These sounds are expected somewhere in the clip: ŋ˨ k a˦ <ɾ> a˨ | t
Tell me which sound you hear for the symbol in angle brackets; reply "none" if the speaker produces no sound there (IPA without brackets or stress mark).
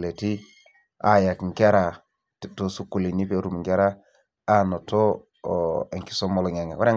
ɾ